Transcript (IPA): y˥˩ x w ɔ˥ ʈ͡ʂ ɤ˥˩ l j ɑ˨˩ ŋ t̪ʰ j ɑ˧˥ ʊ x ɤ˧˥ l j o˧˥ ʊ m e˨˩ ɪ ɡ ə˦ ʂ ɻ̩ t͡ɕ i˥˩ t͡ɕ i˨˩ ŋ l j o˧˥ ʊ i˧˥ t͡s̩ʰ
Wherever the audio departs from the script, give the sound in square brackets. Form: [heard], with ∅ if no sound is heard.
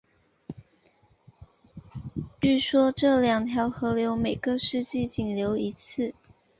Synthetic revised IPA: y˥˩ [ʂ] w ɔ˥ ʈ͡ʂ ɤ˥˩ l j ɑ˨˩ ŋ t̪ʰ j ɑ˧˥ ʊ x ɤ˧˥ l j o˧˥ ʊ m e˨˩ ɪ ɡ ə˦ ʂ ɻ̩ t͡ɕ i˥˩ t͡ɕ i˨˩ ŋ l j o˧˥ ʊ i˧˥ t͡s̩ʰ